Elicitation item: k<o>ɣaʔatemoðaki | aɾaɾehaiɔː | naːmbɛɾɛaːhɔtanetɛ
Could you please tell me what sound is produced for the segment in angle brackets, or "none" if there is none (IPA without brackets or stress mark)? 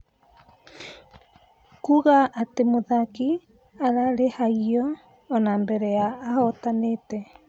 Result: u